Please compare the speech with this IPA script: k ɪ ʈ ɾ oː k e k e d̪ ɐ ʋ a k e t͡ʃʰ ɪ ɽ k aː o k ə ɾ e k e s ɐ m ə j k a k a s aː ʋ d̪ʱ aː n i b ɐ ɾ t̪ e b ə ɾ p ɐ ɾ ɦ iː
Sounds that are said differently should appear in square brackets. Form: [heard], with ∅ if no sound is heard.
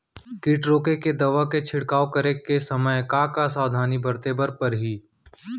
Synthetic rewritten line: k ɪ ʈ ɾ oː k e k e d̪ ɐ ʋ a k e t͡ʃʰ ɪ ɽ k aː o k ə ɾ e k e s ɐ m ə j k a k a s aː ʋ d̪ʱ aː n i b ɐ ɾ t̪ e b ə ɾ p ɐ ɾ ɦ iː